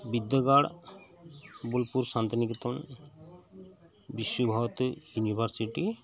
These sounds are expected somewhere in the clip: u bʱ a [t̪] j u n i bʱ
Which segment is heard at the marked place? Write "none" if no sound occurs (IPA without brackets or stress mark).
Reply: t̪